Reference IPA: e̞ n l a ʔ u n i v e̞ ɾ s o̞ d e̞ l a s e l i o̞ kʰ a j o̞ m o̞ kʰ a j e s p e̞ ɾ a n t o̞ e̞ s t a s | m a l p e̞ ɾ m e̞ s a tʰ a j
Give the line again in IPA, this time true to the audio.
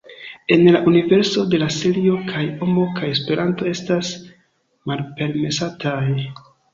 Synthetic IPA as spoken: e̞ n l a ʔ u n i v e̞ ɾ s o̞ d e̞ l a s e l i o̞ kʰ a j o̞ m o̞ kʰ a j e s p e̞ ɾ a n t o̞ e̞ s t a s | m a l p e̞ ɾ m e̞ s a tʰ a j